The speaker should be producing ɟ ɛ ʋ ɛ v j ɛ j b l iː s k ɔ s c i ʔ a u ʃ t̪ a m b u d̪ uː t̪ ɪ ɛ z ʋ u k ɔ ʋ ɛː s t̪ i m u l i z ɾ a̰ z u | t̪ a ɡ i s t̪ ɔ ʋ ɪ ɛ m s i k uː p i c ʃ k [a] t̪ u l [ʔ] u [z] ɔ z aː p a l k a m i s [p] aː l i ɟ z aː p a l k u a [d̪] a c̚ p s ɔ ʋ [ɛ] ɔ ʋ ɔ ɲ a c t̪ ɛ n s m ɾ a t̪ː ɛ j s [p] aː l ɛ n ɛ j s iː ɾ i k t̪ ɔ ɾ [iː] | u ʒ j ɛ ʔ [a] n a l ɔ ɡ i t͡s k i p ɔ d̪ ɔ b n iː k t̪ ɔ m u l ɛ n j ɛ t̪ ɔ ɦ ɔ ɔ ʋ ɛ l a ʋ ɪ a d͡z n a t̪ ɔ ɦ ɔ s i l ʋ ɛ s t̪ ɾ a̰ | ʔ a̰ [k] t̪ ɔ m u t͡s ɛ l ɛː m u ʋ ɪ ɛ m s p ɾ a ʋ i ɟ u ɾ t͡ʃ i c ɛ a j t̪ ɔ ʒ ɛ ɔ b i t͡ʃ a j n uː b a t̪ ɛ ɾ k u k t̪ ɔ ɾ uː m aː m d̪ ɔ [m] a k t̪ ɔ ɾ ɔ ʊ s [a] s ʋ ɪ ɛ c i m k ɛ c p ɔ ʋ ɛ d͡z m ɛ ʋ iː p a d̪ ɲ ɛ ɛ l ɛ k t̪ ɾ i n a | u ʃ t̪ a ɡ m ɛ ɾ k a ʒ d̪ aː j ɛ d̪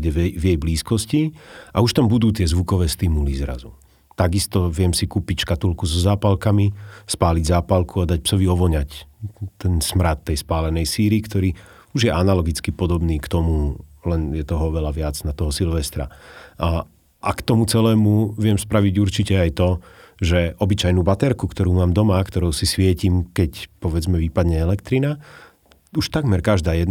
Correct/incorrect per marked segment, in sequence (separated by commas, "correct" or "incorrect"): correct, incorrect, correct, correct, correct, incorrect, correct, correct, correct, correct, correct, incorrect